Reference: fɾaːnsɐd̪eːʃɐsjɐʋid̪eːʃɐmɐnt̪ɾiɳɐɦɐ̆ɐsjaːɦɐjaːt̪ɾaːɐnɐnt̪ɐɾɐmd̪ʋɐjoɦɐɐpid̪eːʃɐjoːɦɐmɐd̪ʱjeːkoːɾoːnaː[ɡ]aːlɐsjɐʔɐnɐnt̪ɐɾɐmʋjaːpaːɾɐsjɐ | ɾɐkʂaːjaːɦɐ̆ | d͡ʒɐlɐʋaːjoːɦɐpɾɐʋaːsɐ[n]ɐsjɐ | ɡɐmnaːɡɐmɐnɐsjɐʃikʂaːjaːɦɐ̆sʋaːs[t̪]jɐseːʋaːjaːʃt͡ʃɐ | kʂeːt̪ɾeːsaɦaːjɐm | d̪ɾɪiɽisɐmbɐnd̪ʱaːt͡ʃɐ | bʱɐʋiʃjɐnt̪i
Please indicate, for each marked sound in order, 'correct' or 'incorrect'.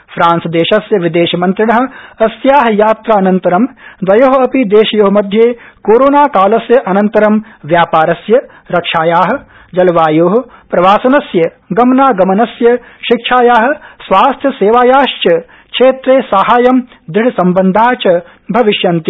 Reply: incorrect, correct, incorrect

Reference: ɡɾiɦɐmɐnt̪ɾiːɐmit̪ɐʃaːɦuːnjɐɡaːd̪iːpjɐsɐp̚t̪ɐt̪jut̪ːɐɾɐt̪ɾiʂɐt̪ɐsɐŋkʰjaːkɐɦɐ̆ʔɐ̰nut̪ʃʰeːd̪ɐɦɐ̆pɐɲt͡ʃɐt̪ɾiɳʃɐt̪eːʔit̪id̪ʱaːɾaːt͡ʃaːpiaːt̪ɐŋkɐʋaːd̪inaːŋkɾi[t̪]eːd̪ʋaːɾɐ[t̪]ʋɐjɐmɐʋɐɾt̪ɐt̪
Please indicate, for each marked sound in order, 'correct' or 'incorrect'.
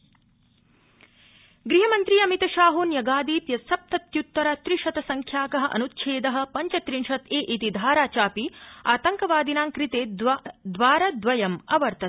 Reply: correct, incorrect

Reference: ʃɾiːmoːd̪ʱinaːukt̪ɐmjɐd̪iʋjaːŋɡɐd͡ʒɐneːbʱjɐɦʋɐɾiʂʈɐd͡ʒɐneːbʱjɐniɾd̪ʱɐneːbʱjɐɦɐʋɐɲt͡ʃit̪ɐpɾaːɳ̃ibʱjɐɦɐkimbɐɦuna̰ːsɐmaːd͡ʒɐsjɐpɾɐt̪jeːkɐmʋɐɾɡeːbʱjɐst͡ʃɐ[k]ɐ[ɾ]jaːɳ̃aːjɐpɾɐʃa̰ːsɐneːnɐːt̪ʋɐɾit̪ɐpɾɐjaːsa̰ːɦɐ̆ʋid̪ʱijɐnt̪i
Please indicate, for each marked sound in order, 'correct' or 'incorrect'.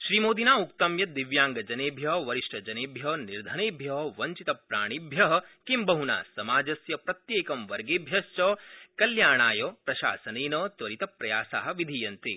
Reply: correct, incorrect

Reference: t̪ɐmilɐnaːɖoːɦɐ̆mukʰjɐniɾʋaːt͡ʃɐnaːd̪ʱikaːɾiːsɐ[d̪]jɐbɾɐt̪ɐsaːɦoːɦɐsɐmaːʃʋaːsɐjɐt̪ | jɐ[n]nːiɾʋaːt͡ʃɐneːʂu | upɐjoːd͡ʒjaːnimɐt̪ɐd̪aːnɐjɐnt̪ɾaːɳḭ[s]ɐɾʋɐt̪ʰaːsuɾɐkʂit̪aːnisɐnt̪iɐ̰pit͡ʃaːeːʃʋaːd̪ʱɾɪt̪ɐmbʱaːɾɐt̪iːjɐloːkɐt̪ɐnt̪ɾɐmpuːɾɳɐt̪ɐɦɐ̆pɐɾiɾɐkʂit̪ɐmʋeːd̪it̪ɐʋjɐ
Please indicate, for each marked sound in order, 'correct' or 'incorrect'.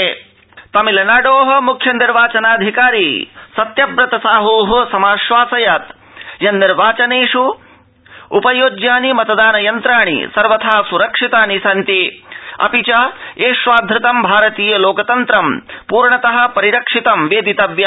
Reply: incorrect, correct, correct

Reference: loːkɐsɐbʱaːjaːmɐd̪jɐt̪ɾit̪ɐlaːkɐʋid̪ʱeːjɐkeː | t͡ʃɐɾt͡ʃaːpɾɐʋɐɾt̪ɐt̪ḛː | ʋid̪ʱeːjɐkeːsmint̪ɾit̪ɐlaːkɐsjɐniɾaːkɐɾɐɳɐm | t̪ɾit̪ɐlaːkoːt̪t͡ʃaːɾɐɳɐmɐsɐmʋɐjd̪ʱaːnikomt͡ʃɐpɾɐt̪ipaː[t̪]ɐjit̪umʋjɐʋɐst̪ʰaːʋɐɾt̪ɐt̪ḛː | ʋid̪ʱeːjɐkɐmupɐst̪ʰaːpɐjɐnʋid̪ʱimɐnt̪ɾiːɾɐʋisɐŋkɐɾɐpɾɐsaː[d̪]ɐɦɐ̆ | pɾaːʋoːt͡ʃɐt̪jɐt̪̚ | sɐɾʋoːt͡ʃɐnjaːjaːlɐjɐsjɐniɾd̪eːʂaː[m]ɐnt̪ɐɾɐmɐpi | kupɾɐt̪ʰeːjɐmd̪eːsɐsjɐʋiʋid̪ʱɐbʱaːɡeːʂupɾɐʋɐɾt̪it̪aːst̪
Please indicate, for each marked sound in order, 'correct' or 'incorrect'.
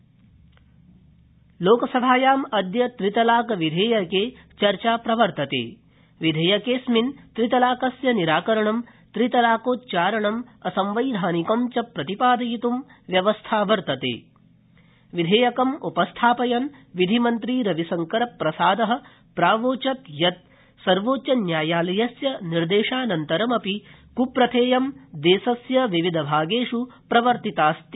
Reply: incorrect, correct, incorrect

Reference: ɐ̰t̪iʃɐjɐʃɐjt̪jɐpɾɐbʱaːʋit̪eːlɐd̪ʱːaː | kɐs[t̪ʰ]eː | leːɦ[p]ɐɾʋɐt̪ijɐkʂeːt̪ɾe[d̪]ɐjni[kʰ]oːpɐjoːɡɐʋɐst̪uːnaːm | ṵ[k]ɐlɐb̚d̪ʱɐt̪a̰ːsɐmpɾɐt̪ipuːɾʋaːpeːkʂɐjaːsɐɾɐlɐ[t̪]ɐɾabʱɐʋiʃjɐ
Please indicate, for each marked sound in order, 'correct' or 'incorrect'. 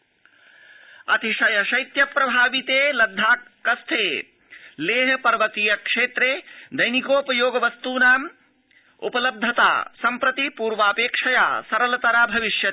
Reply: correct, correct, correct, incorrect, incorrect, correct

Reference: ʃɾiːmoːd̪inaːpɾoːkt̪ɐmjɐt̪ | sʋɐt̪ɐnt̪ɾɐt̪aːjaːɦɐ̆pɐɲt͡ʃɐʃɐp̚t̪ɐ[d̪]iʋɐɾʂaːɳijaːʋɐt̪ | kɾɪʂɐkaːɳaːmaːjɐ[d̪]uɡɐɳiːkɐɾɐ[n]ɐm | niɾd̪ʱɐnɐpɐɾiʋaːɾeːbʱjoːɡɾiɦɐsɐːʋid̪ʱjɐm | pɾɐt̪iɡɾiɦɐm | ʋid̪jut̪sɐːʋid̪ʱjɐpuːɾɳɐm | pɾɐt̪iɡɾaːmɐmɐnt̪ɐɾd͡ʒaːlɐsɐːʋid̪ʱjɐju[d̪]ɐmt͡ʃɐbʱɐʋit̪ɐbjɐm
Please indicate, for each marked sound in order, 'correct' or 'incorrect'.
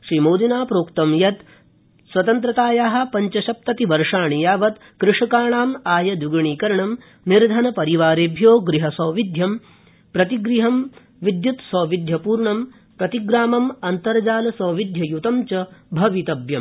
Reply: incorrect, correct, incorrect, incorrect

